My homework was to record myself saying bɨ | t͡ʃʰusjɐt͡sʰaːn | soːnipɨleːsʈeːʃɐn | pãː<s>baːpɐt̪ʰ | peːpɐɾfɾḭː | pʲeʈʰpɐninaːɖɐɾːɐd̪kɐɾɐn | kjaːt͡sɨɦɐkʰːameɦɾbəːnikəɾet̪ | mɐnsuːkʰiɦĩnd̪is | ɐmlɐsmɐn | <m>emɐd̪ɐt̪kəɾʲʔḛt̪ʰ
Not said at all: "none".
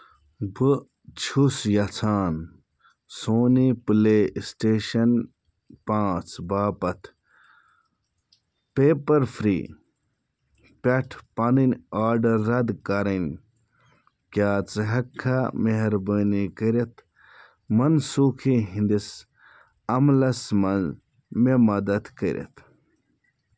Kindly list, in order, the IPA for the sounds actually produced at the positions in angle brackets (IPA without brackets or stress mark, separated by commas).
t͡s, m